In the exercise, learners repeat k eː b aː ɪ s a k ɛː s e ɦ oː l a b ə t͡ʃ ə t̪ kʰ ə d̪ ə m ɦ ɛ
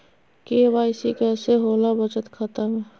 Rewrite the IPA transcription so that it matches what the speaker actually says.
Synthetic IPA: k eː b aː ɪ s i k ɛː s e ɦ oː l a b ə t͡ʃ ə t̪ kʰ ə t̪ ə m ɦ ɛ